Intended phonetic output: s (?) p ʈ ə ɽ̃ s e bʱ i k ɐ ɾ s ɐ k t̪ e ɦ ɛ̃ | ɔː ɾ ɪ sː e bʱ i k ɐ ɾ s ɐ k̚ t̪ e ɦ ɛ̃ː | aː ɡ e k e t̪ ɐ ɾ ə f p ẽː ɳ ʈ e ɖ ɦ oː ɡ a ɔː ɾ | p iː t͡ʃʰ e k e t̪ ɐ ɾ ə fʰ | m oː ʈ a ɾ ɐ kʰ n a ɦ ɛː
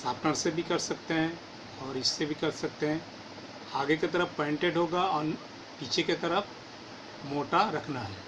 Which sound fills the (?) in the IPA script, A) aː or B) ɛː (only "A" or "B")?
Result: A